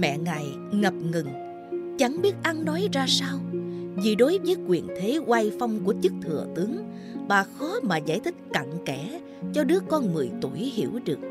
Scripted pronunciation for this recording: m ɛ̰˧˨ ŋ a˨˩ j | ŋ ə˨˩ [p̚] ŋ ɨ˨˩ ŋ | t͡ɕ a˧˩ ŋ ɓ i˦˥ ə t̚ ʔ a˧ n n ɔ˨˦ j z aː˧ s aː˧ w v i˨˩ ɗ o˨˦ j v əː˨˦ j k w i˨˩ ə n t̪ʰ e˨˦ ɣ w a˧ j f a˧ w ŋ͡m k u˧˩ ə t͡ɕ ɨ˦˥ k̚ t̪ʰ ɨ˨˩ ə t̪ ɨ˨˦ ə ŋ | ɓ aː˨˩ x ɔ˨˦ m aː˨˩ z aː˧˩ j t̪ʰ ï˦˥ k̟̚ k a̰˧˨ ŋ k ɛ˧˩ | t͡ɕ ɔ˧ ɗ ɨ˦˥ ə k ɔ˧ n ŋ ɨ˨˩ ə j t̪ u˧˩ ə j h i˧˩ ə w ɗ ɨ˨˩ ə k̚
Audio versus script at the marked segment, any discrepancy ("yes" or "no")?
no